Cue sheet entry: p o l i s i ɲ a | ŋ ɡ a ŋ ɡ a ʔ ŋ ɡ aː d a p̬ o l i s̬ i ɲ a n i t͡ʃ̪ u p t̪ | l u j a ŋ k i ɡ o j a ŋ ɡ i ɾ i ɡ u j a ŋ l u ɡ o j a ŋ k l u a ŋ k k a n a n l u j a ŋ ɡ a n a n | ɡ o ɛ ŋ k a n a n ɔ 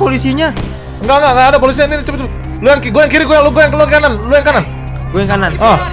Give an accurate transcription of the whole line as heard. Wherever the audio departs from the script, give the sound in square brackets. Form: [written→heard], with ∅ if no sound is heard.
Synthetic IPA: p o l i s i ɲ a | ŋ ɡ a ŋ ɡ a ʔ ŋ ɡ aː d a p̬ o l i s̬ i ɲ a n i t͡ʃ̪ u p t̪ | l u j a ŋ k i ɡ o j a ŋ [ɡ→k] i ɾ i ɡ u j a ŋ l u ɡ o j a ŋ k l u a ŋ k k a n a n l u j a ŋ [ɡ→k] a n a n | ɡ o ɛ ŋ k a n a n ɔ